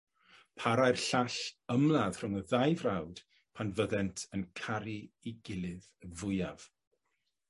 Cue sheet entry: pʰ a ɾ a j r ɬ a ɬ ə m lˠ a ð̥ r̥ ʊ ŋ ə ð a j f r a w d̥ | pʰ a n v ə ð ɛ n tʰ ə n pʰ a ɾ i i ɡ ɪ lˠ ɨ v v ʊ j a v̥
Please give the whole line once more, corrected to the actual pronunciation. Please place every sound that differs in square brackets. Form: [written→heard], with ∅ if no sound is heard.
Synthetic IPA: pʰ a ɾ a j r ɬ a ɬ ə m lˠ a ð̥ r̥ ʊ ŋ ə ð a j [f→v] r a w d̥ | pʰ a n v ə ð ɛ n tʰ ə n [pʰ→kʰ] a ɾ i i ɡ ɪ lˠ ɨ [v→ð] v ʊ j a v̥